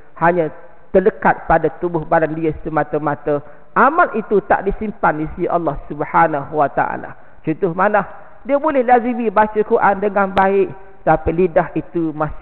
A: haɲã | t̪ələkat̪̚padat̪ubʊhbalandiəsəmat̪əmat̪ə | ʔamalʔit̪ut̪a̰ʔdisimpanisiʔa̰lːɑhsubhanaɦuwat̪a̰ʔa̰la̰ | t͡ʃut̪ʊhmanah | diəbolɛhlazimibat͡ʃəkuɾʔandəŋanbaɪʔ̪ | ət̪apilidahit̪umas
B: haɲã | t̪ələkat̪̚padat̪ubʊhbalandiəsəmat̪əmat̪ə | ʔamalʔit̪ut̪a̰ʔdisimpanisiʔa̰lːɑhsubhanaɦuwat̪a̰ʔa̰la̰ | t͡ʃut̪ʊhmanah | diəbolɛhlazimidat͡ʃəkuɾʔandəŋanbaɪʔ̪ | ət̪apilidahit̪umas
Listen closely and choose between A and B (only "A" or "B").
A